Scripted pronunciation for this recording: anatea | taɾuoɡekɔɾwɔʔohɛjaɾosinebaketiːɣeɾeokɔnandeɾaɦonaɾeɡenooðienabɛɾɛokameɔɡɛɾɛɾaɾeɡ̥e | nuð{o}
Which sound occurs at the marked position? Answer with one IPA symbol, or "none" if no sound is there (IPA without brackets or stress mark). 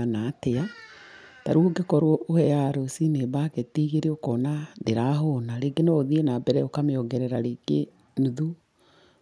u